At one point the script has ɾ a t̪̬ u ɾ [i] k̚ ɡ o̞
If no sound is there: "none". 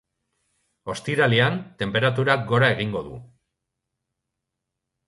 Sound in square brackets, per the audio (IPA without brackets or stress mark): a